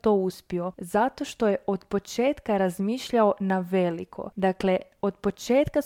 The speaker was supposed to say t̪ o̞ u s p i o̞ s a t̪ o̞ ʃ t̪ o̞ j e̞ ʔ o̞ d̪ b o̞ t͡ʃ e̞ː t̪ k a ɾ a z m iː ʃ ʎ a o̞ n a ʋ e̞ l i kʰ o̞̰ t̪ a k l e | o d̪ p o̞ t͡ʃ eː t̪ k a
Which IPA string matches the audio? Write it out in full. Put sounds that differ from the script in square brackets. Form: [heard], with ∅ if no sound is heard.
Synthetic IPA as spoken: t̪ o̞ u s p i o̞ [z] a t̪ o̞ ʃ t̪ o̞ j e̞ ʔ o̞ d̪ [p] o̞ t͡ʃ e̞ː t̪ k a ɾ a z m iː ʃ ʎ a o̞ n a ʋ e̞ l i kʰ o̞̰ [d̪] a k l e | o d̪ p o̞ t͡ʃ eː t̪ k a